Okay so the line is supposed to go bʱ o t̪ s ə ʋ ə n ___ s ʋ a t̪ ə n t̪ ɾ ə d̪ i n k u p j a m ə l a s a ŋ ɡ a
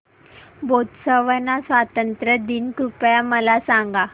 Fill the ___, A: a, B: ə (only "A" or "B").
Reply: A